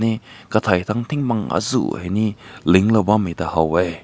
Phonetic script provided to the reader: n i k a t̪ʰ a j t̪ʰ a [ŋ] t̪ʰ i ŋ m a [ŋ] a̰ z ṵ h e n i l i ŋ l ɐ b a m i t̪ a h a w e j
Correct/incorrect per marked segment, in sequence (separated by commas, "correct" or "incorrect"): correct, correct